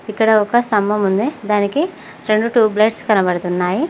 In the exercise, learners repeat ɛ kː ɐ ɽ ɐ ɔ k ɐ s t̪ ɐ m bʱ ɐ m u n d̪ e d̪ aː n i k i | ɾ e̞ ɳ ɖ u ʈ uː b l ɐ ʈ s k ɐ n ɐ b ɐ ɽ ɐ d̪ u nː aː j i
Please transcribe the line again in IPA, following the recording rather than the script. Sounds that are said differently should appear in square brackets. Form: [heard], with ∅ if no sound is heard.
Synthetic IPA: [i] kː ɐ ɽ ɐ ɔ k ɐ s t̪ ɐ m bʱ ɐ m u n d̪ e d̪ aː n i k i | ɾ e̞ ɳ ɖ u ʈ uː b l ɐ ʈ s k ɐ n ɐ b ɐ ɽ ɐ [t̪] u nː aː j i